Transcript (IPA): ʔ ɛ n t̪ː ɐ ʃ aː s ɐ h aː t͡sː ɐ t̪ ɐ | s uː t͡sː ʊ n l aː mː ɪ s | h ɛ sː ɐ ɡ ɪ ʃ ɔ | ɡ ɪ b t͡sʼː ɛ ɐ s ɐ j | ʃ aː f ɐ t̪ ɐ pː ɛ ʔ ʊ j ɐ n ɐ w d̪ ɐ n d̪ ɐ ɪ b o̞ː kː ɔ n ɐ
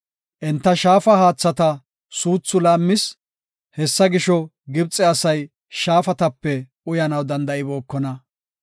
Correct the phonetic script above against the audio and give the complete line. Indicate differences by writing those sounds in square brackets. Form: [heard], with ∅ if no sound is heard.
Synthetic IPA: ʔ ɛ n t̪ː ɐ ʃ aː [f] ɐ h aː t͡sː ɐ t̪ ɐ | s uː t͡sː ʊ [∅] l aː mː ɪ s | h ɛ sː ɐ ɡ ɪ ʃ ɔ | ɡ ɪ b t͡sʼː ɛ ɐ s ɐ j | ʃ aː f ɐ t̪ ɐ pː ɛ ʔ ʊ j ɐ n ɐ w d̪ ɐ n d̪ ɐ ɪ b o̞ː kː ɔ n ɐ